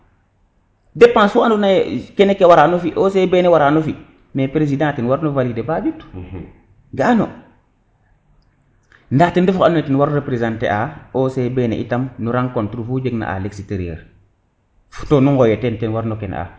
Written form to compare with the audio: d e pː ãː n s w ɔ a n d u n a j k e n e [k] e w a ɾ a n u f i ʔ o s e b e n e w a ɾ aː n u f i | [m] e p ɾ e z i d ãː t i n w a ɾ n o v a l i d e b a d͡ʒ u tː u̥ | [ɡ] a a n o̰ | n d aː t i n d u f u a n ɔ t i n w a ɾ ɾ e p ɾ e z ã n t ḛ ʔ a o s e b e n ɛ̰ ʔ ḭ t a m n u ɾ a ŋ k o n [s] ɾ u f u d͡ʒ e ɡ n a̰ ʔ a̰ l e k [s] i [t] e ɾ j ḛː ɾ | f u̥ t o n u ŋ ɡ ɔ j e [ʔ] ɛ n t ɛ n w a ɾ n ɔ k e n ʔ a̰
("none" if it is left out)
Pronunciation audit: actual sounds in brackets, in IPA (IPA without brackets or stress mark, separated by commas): k, m, ɡ, t, s, t, t